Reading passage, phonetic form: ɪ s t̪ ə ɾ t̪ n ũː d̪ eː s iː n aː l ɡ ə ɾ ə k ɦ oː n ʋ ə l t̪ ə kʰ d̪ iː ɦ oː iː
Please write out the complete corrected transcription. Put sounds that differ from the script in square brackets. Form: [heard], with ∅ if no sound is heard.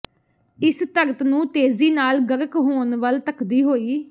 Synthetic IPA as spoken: ɪ s t̪ ə ɾ t̪ n ũː [t̪] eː [z] iː n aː l ɡ ə ɾ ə k ɦ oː n ʋ ə l t̪ ə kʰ d̪ iː ɦ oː iː